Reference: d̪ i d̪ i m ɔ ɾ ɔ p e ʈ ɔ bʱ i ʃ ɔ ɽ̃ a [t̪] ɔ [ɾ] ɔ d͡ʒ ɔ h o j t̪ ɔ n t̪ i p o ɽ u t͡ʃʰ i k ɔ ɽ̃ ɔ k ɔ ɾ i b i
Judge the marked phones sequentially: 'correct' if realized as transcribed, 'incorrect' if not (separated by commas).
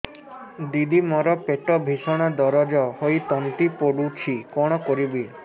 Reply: incorrect, correct